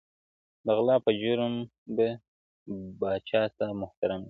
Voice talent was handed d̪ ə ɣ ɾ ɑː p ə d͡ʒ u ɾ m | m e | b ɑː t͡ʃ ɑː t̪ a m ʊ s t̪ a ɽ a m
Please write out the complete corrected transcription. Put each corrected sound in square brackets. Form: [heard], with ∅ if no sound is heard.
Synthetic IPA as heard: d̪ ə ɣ [l] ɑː p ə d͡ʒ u ɾ m | [b] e | b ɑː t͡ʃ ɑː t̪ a m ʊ [h] t̪ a [ɾ] a m